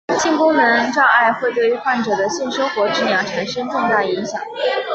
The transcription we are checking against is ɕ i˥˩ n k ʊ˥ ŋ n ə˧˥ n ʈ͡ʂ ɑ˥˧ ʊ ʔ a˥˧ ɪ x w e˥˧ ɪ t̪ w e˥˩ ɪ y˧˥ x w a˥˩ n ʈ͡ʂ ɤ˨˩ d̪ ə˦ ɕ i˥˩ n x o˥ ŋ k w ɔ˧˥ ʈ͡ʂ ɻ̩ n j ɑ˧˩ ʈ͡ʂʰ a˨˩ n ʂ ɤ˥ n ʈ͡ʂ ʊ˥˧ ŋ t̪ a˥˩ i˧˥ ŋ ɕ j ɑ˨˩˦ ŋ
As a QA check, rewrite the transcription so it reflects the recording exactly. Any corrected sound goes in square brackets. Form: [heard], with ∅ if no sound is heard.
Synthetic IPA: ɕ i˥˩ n k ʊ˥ ŋ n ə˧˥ n ʈ͡ʂ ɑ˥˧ ʊ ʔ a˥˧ ɪ x w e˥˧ ɪ t̪ w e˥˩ ɪ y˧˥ x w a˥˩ n ʈ͡ʂ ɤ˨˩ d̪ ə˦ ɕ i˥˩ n [ʂ] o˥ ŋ [x] w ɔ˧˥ ʈ͡ʂ ɻ̩ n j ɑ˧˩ ʈ͡ʂʰ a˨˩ n ʂ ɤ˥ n ʈ͡ʂ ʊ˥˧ ŋ t̪ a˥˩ i˧˥ ŋ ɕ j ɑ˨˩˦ ŋ